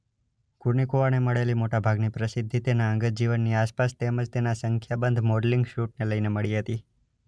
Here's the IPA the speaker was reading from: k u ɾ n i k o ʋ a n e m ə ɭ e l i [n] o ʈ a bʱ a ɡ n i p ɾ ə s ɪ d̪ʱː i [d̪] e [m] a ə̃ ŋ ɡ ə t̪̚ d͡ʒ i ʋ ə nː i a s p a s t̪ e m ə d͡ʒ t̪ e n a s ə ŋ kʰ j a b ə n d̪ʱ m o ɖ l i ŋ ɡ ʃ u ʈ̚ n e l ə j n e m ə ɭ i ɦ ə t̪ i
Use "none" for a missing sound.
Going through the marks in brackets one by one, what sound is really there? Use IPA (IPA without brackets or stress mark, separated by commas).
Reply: m, t̪, n